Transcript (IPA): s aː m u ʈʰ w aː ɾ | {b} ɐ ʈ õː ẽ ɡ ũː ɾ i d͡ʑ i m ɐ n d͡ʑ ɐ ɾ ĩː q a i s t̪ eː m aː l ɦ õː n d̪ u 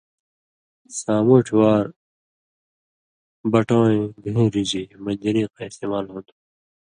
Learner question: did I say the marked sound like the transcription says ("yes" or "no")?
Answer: yes